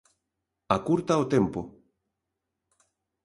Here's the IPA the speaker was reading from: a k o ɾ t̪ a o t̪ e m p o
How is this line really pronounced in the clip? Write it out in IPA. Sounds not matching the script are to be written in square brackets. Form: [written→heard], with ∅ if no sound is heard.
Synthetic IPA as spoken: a k [o→u] ɾ t̪ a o t̪ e m p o